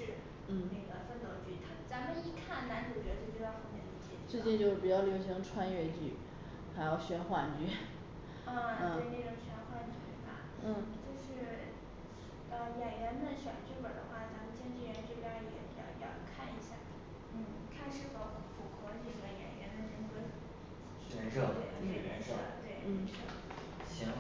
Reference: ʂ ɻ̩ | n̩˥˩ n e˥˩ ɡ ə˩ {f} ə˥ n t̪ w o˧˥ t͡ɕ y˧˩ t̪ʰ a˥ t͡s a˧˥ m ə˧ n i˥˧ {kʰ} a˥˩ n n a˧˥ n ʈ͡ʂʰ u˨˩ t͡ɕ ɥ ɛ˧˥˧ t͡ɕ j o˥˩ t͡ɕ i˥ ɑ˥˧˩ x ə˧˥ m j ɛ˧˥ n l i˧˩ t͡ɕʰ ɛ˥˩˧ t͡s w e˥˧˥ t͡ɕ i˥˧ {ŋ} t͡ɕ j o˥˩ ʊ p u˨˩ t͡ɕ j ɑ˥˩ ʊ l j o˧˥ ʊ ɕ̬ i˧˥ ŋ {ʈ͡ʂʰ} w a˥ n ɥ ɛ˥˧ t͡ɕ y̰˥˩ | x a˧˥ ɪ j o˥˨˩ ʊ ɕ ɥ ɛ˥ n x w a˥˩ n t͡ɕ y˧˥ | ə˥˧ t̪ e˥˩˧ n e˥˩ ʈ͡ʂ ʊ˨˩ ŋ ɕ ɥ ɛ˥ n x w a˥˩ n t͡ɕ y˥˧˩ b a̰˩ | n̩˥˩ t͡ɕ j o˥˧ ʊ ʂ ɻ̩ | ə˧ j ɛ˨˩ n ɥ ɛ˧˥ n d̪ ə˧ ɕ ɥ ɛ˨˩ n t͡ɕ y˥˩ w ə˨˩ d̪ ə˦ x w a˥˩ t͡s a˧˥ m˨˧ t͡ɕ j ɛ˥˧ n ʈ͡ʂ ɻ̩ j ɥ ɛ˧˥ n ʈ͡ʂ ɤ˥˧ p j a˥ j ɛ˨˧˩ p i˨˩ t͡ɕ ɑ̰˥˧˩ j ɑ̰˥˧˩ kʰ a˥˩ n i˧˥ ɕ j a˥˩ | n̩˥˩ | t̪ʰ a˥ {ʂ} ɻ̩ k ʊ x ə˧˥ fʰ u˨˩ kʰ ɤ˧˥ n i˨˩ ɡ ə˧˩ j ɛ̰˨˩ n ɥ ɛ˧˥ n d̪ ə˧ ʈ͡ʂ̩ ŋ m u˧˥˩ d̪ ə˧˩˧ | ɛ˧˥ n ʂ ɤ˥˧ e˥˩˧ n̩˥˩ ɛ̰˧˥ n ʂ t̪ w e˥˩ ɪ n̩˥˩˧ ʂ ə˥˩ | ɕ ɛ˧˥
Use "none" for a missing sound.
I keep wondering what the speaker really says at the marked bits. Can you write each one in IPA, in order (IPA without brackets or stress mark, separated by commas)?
f, kʰ, n, ʈ͡ʂʰ, ʂ